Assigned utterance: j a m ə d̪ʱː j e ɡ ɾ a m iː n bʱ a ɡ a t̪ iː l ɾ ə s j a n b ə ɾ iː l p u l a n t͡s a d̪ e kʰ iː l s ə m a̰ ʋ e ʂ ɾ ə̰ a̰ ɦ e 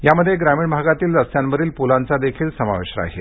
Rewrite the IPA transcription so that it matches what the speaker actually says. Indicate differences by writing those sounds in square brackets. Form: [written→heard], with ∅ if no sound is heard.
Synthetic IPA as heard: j a m ə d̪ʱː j e ɡ ɾ a m iː [n→ɳ] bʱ a ɡ a t̪ iː l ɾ ə s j a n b ə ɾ iː l p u l a n t͡s a d̪ e kʰ iː l s ə m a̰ ʋ e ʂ ɾ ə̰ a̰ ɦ e